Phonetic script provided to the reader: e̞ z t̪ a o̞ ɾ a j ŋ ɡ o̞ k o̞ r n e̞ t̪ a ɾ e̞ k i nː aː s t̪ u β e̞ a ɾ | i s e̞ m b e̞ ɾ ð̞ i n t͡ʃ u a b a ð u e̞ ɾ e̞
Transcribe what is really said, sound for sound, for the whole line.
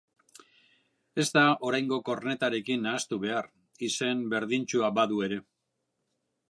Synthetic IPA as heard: e̞ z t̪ a o̞ ɾ a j ŋ ɡ o̞ k o̞ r n e̞ t̪ a ɾ e̞ k i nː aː s t̪ u β e̞ a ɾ | i s e̞ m b e̞ ɾ ð̞ i n t͡ʃ u a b a ð u e̞ ɾ e̞